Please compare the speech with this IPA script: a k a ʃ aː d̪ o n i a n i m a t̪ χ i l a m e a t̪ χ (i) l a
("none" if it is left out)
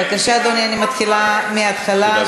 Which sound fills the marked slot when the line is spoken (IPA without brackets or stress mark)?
a